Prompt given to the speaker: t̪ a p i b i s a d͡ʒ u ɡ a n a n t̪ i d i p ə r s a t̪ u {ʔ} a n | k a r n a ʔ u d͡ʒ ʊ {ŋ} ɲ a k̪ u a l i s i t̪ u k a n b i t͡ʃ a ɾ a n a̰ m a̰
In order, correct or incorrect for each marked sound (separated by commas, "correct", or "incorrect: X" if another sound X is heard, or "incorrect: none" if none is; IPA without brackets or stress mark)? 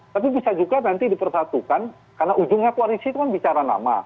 incorrect: k, correct